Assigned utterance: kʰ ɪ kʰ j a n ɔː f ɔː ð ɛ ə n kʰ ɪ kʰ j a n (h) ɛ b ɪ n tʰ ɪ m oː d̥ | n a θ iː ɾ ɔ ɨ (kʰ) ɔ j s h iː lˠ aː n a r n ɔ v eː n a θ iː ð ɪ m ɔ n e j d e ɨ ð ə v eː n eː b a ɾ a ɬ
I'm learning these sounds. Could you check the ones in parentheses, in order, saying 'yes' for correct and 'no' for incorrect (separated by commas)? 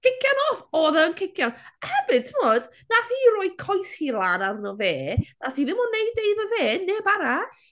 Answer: yes, yes